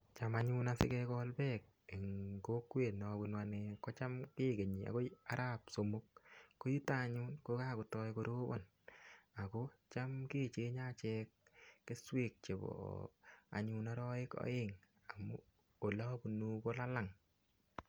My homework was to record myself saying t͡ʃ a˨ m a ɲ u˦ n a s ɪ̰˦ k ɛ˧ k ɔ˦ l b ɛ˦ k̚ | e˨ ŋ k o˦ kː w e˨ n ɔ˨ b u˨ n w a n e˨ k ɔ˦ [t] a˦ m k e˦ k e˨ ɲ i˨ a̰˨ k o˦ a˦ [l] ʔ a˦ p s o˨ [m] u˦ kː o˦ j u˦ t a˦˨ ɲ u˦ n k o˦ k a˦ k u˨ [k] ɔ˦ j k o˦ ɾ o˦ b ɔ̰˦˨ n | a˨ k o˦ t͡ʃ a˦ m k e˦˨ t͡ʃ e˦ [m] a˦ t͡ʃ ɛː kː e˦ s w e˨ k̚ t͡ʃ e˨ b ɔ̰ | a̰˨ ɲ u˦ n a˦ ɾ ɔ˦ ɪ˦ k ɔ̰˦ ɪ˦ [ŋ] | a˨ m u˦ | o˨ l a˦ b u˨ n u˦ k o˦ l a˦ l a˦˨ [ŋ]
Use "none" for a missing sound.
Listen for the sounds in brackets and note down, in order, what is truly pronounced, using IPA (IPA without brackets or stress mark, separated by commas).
t͡ʃ, ɾ, m, t, ɲ, ŋ, ŋ